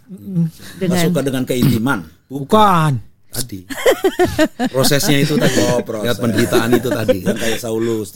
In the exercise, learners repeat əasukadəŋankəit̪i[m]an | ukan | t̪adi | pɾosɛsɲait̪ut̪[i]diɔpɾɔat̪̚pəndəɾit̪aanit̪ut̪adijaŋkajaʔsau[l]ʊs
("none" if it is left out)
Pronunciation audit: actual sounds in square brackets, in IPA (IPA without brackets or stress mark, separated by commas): m, a, l